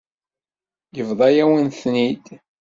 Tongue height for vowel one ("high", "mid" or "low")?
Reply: mid